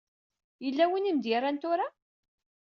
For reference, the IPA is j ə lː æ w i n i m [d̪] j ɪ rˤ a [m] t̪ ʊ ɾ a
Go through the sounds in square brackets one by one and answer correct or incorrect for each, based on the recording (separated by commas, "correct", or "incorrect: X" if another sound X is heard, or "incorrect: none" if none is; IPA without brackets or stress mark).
correct, incorrect: n